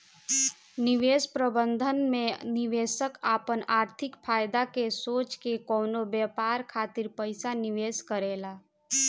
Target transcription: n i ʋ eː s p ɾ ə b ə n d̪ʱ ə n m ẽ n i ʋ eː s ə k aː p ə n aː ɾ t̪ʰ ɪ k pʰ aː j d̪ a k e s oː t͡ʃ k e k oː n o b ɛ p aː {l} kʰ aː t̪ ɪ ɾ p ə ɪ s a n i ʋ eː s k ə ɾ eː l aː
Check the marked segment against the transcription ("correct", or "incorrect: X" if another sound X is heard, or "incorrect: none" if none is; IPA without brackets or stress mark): incorrect: ɾ